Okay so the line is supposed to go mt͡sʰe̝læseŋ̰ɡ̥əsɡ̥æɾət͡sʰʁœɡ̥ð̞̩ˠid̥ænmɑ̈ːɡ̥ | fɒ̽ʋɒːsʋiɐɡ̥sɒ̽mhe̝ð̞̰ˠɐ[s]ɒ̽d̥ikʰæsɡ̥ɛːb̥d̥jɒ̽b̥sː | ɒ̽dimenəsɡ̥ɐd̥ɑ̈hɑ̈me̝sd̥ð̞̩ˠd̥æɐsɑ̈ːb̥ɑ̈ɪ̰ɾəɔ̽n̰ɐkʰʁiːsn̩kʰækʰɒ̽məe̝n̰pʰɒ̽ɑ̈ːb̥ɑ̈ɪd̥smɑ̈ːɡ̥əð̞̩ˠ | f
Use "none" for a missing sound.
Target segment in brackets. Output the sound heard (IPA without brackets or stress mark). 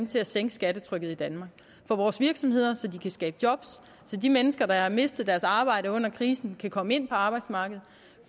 s